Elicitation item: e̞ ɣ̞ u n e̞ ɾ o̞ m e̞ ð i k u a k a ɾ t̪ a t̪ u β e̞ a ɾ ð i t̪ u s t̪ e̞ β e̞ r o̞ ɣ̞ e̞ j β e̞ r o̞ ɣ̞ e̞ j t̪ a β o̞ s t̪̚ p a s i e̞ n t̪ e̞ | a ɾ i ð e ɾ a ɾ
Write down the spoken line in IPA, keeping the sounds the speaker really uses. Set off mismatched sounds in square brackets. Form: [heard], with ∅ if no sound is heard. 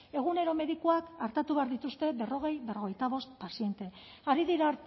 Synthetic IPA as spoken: e̞ ɣ̞ u n e̞ ɾ o̞ m e̞ ð i k u a k a ɾ t̪ a t̪ u β e̞ a ɾ ð i t̪ u s t̪ e̞ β e̞ r o̞ ɣ̞ e̞ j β e̞ r o̞ ɣ̞ e̞ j t̪ a β o̞ s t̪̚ p a s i e̞ n t̪ e̞ | a ɾ i ð [i] ɾ a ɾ

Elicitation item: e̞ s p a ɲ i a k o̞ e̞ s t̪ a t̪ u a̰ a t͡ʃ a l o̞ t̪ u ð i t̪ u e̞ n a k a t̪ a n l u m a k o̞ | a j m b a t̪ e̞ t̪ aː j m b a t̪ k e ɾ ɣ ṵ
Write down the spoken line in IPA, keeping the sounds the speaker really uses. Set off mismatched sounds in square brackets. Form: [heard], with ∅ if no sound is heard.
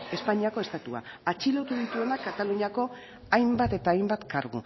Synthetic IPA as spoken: e̞ s p a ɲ i a k o̞ e̞ s t̪ a t̪ u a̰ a t͡ʃ [i] l o̞ t̪ u ð i t̪ u e̞ n a k a t̪ a [∅] l u [ɲ] a k o̞ | a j m b a t̪ e̞ t̪ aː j m b a t̪ k [a] ɾ ɣ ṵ

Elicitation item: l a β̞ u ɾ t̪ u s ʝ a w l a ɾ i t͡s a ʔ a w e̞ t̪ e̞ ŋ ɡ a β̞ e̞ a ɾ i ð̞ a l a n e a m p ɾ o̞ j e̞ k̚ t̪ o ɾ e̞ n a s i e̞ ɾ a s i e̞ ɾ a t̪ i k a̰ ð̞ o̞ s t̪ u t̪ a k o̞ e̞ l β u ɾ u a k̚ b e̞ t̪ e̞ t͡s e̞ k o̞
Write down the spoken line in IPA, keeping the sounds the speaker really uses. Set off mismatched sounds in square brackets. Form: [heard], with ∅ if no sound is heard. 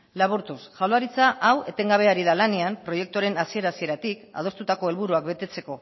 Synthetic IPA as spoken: l a β̞ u ɾ t̪ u s ʝ a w l a ɾ i t͡s a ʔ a w e̞ t̪ e̞ ŋ ɡ a β̞ e̞ a ɾ i ð̞ a l a n e a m p ɾ o̞ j e̞ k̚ t̪ o ɾ e̞ n a s i e̞ ɾ a s i e̞ ɾ a t̪ i k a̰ ð̞ o̞ s t̪ u t̪ a k o̞ e̞ l β u ɾ u a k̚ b e̞ t̪ e̞ t͡s e̞ k o̞

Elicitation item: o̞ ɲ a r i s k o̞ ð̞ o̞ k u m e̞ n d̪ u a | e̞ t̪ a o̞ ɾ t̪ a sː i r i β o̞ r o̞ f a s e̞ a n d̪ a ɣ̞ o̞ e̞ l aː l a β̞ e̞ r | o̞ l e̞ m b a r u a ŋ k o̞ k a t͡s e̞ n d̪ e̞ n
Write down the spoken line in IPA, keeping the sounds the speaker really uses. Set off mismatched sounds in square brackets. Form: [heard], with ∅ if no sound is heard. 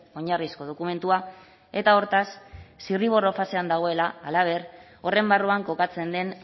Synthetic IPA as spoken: o̞ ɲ a r i s k o̞ ð̞ o̞ k u m e̞ n [t̪] u a | e̞ t̪ a o̞ ɾ t̪ a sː i r i β o̞ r o̞ f a s e̞ a n d̪ a ɣ̞ o̞ e̞ l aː l a β̞ e̞ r | o̞ [r] e̞ m b a r u a ŋ k o̞ k a t͡s e̞ n d̪ e̞ n

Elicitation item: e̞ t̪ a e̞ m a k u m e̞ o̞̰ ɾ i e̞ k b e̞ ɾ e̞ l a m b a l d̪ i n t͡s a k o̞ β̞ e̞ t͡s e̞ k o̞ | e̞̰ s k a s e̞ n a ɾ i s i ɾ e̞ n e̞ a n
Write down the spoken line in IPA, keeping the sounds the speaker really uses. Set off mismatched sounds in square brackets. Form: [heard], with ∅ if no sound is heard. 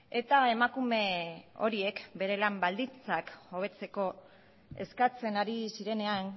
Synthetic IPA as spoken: e̞ t̪ a e̞ m a k u m e̞ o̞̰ ɾ i e̞ k b e̞ ɾ e̞ l a m b a l d̪ i n t͡s a k o̞ β̞ e̞ t͡s e̞ k o̞ | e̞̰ s k a [t͡s] e̞ n a ɾ i s i ɾ e̞ n e̞ a n

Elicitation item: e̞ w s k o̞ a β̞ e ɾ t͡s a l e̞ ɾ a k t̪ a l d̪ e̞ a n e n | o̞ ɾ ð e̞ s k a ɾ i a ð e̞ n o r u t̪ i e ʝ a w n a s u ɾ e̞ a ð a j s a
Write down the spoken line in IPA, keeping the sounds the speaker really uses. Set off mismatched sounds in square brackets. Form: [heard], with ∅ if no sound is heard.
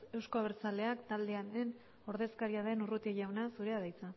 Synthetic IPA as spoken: e̞ w s k o̞ a β̞ e ɾ t͡s a l e̞ [∅] a k t̪ a l d̪ e̞ a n e n | o̞ ɾ ð e̞ s k a ɾ i a ð e̞ n [u] r u t̪ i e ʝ a w n a s u ɾ e̞ a ð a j [t͡s] a

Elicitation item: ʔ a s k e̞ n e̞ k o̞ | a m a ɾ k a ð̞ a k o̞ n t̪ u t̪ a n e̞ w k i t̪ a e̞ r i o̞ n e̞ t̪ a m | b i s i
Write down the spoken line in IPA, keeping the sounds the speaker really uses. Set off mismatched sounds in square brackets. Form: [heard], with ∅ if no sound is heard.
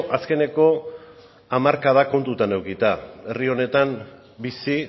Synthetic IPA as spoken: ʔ a s k e̞ n e̞ k o̞ | a m a ɾ k a ð̞ a k o̞ n t̪ u t̪ a n e̞ w k i t̪ a e̞ r i o̞ n e̞ t̪ a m | b i s i

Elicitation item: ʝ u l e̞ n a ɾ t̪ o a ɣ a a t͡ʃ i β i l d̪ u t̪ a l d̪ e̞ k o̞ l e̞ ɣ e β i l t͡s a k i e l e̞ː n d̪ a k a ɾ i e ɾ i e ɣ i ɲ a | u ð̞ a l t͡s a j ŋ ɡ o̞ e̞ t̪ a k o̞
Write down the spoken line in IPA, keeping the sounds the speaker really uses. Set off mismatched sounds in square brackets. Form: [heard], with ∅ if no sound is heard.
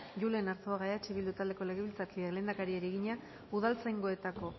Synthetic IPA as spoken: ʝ u l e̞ n a ɾ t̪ o a ɣ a a t͡ʃ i β i l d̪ u t̪ a l d̪ e̞ k o̞ l e̞ ɣ e β i l t͡s a k i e l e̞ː n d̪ a k a ɾ i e ɾ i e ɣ i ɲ a | u ð̞ a l t͡s a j ŋ ɡ o̞ e̞ t̪ a k o̞

